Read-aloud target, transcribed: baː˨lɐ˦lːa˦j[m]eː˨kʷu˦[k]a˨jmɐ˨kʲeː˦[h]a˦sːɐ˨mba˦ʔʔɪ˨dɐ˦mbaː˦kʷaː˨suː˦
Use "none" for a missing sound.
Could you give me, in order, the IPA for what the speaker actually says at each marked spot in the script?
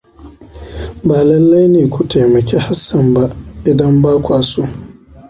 n, t, h

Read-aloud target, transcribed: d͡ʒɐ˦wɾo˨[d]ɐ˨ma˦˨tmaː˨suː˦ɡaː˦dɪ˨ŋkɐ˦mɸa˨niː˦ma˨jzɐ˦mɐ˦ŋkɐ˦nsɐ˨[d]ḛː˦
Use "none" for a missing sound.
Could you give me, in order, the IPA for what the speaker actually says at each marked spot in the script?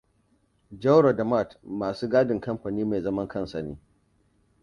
d, n

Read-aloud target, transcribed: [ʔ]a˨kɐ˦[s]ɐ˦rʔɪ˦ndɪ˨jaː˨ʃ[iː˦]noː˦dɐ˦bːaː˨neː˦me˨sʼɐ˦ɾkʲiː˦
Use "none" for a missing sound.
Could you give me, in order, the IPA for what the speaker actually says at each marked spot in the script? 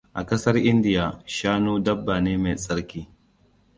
ʔ, s, aː˦

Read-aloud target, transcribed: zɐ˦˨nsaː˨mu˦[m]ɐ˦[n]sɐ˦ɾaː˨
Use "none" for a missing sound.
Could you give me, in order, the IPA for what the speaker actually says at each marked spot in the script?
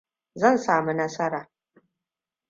n, none

